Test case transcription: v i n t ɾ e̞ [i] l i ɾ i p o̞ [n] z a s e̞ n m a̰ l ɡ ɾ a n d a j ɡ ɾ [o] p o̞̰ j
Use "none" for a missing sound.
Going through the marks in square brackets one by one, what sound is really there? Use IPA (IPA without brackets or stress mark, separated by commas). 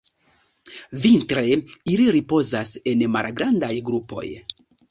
i, none, u